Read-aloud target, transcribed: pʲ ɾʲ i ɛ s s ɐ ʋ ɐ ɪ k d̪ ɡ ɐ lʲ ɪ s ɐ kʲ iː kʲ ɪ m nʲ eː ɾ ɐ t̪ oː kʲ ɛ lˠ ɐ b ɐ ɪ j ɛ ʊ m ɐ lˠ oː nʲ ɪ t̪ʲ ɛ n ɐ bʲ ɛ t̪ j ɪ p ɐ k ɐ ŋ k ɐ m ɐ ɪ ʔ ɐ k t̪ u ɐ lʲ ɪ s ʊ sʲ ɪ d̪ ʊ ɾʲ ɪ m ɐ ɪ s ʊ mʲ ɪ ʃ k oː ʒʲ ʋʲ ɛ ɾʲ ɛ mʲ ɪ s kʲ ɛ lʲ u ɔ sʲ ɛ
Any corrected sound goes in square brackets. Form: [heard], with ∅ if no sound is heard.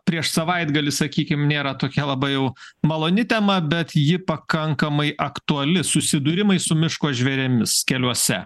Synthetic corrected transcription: pʲ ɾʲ i ɛ [ʃ] s ɐ ʋ ɐ ɪ [∅] d̪ ɡ ɐ lʲ ɪ s ɐ kʲ iː kʲ ɪ m nʲ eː ɾ ɐ t̪ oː kʲ ɛ lˠ ɐ b ɐ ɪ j ɛ ʊ m ɐ lˠ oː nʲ ɪ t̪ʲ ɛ [m] ɐ bʲ ɛ t̪ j ɪ p ɐ k ɐ ŋ k ɐ m ɐ ɪ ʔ ɐ k t̪ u ɐ lʲ ɪ s ʊ sʲ ɪ d̪ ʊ ɾʲ ɪ m ɐ ɪ s ʊ mʲ ɪ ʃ k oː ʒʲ ʋʲ ɛ ɾʲ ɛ mʲ ɪ s kʲ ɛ lʲ u ɔ sʲ ɛ

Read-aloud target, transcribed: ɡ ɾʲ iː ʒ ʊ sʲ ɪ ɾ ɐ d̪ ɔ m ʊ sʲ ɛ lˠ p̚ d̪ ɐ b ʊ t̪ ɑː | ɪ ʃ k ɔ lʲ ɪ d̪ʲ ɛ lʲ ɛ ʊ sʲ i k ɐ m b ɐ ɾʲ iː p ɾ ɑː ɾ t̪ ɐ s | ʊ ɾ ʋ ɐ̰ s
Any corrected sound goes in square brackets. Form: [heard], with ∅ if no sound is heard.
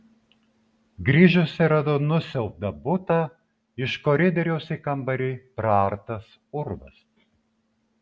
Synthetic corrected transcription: ɡ ɾʲ iː ʒ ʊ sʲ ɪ ɾ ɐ d̪ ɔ [n] ʊ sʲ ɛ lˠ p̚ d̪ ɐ b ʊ t̪ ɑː | ɪ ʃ k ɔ [ɾʲ] ɪ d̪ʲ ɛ [ɾʲ] ɛ ʊ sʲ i k ɐ m b ɐ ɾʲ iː p ɾ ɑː ɾ t̪ ɐ s | ʊ ɾ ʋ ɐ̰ s

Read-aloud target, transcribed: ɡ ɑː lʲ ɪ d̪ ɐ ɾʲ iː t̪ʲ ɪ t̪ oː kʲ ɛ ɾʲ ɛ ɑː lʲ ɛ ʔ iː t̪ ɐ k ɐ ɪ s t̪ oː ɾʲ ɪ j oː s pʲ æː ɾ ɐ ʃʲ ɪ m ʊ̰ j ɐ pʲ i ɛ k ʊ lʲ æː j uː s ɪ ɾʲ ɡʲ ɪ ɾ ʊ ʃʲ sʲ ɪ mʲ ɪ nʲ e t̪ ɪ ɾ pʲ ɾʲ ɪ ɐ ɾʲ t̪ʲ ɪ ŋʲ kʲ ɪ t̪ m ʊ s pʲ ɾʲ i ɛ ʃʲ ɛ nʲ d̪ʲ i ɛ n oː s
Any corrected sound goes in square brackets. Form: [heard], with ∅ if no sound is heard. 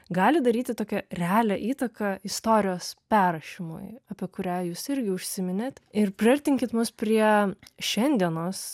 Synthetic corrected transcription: ɡ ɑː lʲ ɪ d̪ ɐ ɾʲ iː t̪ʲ ɪ t̪ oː kʲ ɛ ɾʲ ɛ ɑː lʲ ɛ ʔ iː t̪ ɐ k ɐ ɪ s t̪ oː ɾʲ ɪ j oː s pʲ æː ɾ ɐ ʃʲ ɪ m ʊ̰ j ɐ pʲ i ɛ k ʊ [ɾʲ] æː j uː s ɪ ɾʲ ɡʲ ɪ [∅] ʊ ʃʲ sʲ ɪ mʲ ɪ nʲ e t̪ ɪ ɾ pʲ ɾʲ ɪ ɐ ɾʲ t̪ʲ ɪ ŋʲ kʲ ɪ t̪ m ʊ s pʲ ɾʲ i ɛ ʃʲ ɛ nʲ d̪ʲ i ɛ n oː s

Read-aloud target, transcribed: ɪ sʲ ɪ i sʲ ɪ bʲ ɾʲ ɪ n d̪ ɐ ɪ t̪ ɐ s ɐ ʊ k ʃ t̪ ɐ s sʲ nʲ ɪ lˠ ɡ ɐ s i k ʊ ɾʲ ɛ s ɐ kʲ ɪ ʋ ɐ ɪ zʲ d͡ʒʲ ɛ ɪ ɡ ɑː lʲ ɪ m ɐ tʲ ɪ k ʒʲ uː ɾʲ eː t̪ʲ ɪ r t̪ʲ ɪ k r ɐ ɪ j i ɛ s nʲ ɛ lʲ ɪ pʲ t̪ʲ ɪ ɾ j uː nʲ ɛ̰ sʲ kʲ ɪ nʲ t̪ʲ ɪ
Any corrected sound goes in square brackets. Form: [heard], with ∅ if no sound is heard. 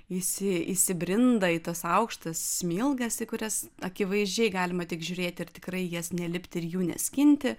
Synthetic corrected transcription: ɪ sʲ ɪ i sʲ ɪ bʲ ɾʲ ɪ n d̪ ɐ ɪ t̪ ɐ s ɐ ʊ k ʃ t̪ ɐ s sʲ [mʲ] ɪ lˠ ɡ ɐ s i k ʊ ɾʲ ɛ s ɐ kʲ ɪ ʋ ɐ ɪ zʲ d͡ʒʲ ɛ ɪ ɡ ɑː lʲ ɪ m ɐ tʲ ɪ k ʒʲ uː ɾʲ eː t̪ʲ ɪ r t̪ʲ ɪ k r ɐ ɪ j i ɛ s nʲ ɛ lʲ ɪ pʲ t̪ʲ ɪ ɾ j uː nʲ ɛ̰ sʲ kʲ ɪ nʲ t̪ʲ ɪ

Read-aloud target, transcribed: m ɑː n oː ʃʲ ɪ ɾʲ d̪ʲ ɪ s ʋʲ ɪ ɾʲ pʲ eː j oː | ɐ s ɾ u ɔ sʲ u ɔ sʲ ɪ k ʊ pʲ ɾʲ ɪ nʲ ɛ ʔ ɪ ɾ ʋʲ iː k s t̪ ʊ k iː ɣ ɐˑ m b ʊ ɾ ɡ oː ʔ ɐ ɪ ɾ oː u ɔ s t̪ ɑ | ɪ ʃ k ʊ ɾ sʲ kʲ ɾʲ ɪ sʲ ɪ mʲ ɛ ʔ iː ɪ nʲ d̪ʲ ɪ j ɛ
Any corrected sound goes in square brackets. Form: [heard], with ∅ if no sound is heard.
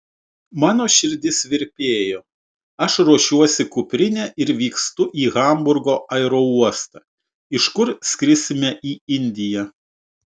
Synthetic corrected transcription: m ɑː n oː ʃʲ ɪ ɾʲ d̪ʲ ɪ s ʋʲ ɪ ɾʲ pʲ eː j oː | ɐ [ʃ] ɾ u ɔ [ʃʲ] u ɔ sʲ ɪ k ʊ pʲ ɾʲ ɪ nʲ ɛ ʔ ɪ ɾ ʋʲ iː k s t̪ ʊ [ʔ] iː ɣ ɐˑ m b ʊ ɾ ɡ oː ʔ ɐ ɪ ɾ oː u ɔ s t̪ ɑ | ɪ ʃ k ʊ ɾ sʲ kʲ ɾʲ ɪ sʲ ɪ mʲ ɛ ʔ iː ɪ nʲ d̪ʲ ɪ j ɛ

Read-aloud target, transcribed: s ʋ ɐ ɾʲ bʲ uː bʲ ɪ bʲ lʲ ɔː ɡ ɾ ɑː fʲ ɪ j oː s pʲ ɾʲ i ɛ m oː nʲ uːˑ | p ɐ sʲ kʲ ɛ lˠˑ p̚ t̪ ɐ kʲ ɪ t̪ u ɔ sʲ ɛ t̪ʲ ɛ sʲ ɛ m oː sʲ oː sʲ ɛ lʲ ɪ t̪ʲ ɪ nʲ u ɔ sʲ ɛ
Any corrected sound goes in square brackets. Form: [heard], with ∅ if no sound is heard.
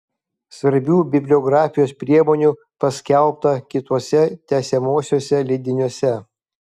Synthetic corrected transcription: s ʋ ɐ ɾʲ bʲ uː bʲ ɪ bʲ lʲ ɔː ɡ ɾ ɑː fʲ ɪ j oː s pʲ ɾʲ i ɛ m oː nʲ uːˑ | p ɐ sʲ kʲ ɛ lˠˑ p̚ t̪ ɐ kʲ ɪ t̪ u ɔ sʲ ɛ t̪ʲ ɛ sʲ ɛ m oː sʲ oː sʲ ɛ lʲ ɪ [d̪ʲ] ɪ nʲ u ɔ sʲ ɛ

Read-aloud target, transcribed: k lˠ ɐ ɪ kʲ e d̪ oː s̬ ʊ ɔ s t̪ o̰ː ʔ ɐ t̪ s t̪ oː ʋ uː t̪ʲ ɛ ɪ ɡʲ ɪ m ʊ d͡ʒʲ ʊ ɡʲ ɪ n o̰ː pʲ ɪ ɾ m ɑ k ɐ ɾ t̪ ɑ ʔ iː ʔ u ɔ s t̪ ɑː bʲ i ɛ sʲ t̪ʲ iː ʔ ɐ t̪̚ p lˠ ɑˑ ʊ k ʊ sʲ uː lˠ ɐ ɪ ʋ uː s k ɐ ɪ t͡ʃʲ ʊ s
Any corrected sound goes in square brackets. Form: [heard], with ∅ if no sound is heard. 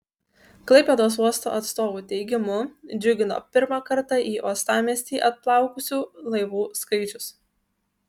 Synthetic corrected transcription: k lˠ ɐ ɪ [pʲ] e d̪ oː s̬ [u] ɔ s t̪ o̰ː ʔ ɐ t̪ s t̪ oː ʋ uː t̪ʲ ɛ ɪ ɡʲ ɪ m ʊ d͡ʒʲ ʊ ɡʲ ɪ n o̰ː pʲ ɪ ɾ m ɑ k ɐ ɾ t̪ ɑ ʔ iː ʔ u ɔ s t̪ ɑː [mʲ] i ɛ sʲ t̪ʲ iː ʔ ɐ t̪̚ p lˠ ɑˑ ʊ k ʊ sʲ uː lˠ ɐ ɪ ʋ uː s k ɐ ɪ t͡ʃʲ ʊ s

